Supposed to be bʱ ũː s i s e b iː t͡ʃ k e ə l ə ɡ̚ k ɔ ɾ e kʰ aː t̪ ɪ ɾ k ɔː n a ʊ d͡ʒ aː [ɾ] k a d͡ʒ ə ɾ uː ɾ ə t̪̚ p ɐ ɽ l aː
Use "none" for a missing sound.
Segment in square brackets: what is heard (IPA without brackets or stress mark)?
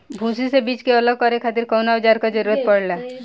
ɾ